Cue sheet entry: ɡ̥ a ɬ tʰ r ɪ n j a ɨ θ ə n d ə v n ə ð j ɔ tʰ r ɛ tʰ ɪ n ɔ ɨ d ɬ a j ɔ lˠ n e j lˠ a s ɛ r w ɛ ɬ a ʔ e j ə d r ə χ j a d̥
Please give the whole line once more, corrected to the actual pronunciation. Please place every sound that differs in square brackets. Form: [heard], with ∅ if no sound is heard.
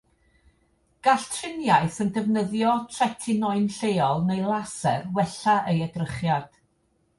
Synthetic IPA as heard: ɡ̥ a ɬ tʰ r ɪ n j a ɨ θ ə n d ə v n ə ð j ɔ tʰ r ɛ tʰ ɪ n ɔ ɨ [n] ɬ [e] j ɔ lˠ n e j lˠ a s ɛ r w ɛ ɬ a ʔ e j ə d r ə χ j a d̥